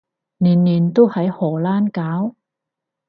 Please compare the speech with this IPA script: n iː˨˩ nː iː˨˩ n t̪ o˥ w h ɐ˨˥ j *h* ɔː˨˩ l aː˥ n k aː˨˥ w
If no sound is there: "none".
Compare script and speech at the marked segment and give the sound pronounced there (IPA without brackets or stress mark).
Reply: h